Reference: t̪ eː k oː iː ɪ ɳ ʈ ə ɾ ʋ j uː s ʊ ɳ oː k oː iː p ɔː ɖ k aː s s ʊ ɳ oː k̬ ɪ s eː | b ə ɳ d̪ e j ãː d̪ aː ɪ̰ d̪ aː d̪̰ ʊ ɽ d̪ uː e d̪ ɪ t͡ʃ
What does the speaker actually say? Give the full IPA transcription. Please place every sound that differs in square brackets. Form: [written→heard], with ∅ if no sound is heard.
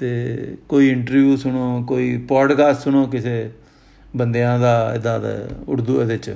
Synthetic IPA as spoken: t̪ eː k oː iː ɪ ɳ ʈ ə ɾ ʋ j uː s ʊ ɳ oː k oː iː p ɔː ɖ k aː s s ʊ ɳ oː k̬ ɪ s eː | b ə [ɳ→n] d̪ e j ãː d̪ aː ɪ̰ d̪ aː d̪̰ ʊ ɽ d̪ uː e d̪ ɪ t͡ʃ